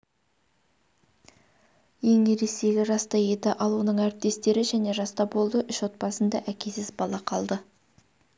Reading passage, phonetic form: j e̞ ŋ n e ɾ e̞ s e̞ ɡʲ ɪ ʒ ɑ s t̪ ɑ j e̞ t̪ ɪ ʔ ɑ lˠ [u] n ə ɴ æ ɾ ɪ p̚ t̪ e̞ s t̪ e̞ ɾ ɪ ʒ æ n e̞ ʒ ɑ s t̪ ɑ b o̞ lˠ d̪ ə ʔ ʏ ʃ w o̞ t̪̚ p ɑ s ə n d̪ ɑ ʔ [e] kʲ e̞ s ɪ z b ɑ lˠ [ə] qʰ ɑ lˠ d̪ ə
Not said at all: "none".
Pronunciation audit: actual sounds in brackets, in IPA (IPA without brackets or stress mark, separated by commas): u, æ, ɑ